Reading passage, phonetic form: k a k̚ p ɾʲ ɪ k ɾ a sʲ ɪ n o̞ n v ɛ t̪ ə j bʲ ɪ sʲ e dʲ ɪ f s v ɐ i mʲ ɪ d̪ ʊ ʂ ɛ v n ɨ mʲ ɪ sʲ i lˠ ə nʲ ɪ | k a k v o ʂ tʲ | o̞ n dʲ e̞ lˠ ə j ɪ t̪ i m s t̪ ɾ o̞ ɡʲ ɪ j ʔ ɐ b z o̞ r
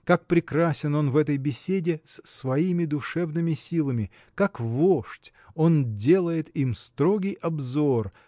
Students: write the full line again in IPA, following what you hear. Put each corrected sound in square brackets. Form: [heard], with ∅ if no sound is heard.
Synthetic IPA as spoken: k a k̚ p ɾʲ ɪ k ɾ a sʲ ɪ n o̞ n v ɛ t̪ ə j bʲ ɪ sʲ e dʲ ɪ [s] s v ɐ i mʲ ɪ d̪ ʊ ʂ ɛ v n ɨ mʲ ɪ sʲ i lˠ ə [mʲ] ɪ | k a k v o ʂ tʲ | o̞ n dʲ e̞ lˠ ə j ɪ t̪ i m s t̪ ɾ o̞ ɡʲ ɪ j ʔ ɐ b z o̞ r

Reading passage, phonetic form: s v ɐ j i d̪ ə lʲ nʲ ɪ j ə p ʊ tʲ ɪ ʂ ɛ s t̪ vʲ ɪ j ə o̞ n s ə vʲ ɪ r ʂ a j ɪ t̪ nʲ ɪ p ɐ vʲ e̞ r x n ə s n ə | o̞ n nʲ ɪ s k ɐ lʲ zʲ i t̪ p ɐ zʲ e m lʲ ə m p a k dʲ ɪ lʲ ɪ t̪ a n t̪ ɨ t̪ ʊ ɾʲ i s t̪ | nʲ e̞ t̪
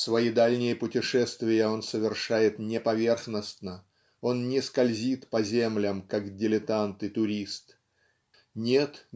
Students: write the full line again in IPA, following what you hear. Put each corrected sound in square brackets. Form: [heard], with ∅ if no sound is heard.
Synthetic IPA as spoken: s v ɐ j i d̪ [a] lʲ nʲ ɪ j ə p ʊ tʲ ɪ ʂ ɛ s t̪ vʲ ɪ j ə o̞ n s ə vʲ ɪ r ʂ a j ɪ t̪ nʲ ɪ p ɐ vʲ e̞ r x n ə s n ə | o̞ n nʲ ɪ s k ɐ lʲ zʲ i t̪ p ɐ zʲ e m lʲ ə m [k] a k dʲ ɪ lʲ ɪ t̪ a n t̪ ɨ t̪ ʊ ɾʲ i s t̪ | nʲ e̞ t̪

